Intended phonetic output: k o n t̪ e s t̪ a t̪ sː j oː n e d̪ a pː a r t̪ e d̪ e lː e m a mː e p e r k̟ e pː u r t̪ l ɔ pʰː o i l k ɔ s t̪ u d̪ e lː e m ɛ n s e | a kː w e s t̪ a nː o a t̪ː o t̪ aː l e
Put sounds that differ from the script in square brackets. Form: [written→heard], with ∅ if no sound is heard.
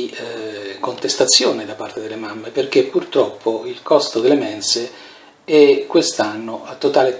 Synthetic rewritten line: k o n t̪ e s t̪ a t̪ sː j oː n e d̪ a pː a r t̪ e d̪ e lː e m a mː e p e r k̟ e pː u r t̪ [l→ɾ] ɔ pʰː o i l k ɔ s t̪ [u→o] d̪ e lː e m ɛ n s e | [a→ɛ] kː w e s t̪ a nː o a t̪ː o t̪ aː l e